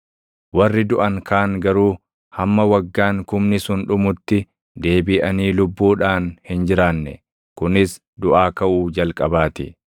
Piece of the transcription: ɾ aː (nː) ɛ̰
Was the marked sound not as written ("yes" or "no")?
no